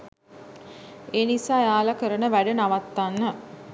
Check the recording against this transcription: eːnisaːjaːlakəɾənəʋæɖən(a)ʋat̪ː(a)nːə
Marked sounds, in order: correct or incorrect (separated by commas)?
correct, correct